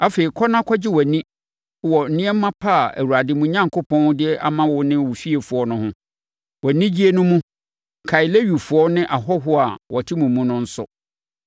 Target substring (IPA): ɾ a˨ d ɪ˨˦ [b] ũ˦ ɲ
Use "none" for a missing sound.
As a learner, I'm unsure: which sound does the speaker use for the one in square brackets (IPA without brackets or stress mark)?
m